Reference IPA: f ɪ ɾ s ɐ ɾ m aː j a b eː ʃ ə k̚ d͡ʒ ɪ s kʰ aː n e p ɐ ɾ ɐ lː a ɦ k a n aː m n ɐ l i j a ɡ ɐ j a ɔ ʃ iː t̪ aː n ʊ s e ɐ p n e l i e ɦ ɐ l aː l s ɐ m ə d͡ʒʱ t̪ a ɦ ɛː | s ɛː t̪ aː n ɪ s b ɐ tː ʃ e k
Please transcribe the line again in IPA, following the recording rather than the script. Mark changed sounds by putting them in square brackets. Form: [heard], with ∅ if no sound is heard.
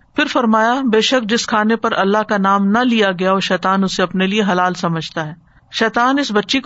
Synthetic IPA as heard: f ɪ ɾ [f] ɐ ɾ m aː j a b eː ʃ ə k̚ d͡ʒ ɪ s kʰ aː n e p ɐ ɾ ɐ lː a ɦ k a n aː m n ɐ l i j a ɡ ɐ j a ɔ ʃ [ɛː] t̪ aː n ʊ s e ɐ p n e l i e ɦ ɐ l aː l s ɐ m ə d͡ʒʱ t̪ a ɦ ɛː | [ʃ] ɛː t̪ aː n ɪ s b ɐ tː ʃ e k